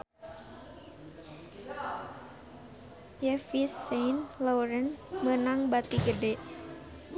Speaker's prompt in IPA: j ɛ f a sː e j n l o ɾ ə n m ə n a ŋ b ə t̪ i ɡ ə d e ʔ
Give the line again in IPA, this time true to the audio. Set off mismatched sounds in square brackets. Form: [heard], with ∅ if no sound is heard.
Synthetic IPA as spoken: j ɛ f [i] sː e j n l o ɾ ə n m ə n a ŋ b [a] t̪ i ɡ ə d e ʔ